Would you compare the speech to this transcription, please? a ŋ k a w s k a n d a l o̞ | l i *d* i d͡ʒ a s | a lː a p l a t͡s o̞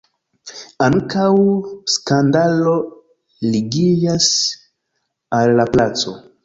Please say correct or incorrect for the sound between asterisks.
incorrect